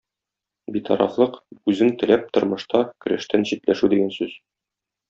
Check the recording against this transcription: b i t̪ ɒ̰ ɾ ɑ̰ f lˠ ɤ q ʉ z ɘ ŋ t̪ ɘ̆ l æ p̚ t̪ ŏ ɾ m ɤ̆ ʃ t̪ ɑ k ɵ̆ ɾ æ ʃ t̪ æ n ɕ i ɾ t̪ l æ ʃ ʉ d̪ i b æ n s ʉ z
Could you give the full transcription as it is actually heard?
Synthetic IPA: b i t̪ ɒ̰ ɾ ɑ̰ f lˠ ɤ q ʉ z ɘ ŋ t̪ ɘ̆ l æ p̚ t̪ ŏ ɾ m ɤ̆ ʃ t̪ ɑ k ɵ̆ ɾ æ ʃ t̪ æ n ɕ i t̪ l æ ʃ ʉ d̪ i ɡ æ n s ʉ z